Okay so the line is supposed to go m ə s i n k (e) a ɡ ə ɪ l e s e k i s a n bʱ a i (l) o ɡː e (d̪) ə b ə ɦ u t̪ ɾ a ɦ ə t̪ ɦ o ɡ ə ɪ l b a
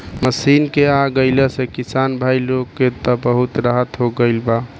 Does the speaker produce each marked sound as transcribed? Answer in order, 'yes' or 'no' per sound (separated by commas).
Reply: yes, yes, no